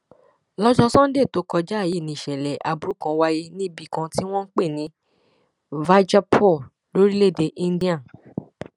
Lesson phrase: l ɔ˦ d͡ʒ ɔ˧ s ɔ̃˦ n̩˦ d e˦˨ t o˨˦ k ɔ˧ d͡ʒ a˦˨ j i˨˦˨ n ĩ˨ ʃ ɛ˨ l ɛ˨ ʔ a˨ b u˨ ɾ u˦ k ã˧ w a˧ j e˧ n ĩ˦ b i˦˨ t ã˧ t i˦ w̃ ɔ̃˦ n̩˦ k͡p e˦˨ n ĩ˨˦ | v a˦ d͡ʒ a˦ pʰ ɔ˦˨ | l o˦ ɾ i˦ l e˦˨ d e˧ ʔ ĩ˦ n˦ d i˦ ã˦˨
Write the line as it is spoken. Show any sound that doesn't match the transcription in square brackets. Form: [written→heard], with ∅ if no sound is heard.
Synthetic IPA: l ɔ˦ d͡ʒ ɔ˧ s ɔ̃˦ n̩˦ d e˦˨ t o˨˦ k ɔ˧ d͡ʒ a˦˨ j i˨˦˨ n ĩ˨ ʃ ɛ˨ l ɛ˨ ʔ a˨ b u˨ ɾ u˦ k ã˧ w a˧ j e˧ n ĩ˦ b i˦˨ [t→k] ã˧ t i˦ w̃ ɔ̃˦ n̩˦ k͡p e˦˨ n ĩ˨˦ | v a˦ d͡ʒ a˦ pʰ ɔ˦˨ | l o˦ ɾ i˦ l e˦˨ d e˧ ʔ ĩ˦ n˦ d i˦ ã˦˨